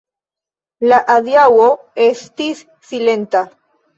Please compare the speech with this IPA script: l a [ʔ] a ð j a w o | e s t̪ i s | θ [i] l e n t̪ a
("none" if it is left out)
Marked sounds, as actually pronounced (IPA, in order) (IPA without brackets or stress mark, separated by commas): ʔ, i